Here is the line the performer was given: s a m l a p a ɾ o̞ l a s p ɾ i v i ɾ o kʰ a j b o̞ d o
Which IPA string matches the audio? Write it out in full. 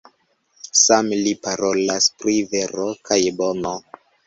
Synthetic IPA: s a m l i p a ɾ o̞ l a s p ɾ i v e ɾ o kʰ a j b o̞ n o